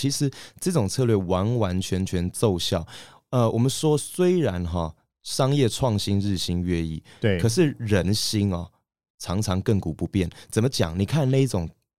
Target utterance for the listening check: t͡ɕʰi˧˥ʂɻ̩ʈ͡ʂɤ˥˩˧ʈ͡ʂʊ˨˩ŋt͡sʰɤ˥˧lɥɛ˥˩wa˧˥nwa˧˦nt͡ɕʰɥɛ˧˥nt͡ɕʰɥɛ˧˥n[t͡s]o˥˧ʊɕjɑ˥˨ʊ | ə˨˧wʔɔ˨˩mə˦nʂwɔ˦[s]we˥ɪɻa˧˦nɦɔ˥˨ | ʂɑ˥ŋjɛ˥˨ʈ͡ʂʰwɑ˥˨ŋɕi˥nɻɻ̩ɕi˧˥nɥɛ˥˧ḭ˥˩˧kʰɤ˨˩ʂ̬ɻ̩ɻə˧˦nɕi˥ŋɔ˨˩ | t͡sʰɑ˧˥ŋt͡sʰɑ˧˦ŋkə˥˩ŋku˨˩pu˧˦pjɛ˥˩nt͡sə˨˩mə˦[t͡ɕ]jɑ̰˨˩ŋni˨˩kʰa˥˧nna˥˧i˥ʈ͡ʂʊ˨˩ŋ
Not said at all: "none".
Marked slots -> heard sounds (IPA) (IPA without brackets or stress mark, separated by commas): t͡s, s, t͡ɕ